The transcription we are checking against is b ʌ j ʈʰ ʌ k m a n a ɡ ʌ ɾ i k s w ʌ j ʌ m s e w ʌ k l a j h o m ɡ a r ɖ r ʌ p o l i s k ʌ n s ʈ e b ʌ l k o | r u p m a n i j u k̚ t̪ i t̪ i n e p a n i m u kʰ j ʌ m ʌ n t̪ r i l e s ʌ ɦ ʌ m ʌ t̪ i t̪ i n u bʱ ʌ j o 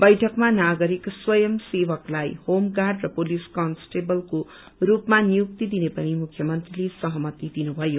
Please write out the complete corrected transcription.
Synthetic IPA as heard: b ʌ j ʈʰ ʌ k m a n a ɡ ʌ ɾ i k s w ʌ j ʌ m s e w ʌ k l a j h o m ɡ a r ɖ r ʌ p o l i s k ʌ n s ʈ e b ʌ l k o | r u p m a n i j u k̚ t̪ i d̪ i n e p ʌ n i m u kʰ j ʌ m ʌ n t̪ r i l e s ʌ ɦ ʌ m ʌ t̪ i d̪ i n u bʱ ʌ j o